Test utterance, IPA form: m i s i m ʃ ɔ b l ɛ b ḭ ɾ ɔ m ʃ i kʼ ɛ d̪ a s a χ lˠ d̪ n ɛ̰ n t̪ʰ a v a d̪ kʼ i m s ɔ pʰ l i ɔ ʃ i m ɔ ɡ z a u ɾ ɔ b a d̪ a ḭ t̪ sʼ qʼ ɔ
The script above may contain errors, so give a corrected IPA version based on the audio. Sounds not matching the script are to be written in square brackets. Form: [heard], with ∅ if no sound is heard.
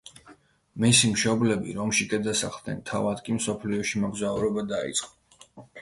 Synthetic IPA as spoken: m i s i m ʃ ɔ b l ɛ b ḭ ɾ ɔ m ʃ i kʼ ɛ d̪ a s a χ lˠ d̪ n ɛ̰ n t̪ʰ a v a d̪ kʼ i m s ɔ pʰ l i ɔ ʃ i m ɔ ɡ z a u ɾ ɔ b a d̪ a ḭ t̪ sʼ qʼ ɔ